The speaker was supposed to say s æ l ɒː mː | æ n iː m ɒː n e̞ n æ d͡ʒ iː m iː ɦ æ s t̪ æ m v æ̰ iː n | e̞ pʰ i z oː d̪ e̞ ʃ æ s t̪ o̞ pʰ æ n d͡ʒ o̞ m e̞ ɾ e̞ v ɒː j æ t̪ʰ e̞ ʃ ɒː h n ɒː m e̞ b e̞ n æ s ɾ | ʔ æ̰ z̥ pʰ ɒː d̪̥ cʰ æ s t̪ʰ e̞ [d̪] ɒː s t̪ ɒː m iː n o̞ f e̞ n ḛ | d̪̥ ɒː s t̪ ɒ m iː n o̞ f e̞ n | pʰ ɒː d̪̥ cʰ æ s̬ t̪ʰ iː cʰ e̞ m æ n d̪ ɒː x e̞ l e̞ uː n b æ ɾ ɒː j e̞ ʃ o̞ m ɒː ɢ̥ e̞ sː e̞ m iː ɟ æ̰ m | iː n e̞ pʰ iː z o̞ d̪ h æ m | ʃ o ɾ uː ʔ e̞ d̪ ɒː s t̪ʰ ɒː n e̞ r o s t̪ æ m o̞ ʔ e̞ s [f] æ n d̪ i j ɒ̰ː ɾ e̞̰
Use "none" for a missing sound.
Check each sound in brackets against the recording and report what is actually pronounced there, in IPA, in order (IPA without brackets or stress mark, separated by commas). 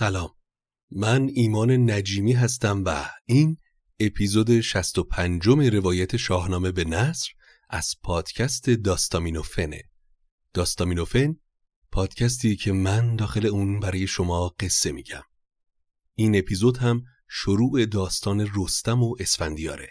d̪, f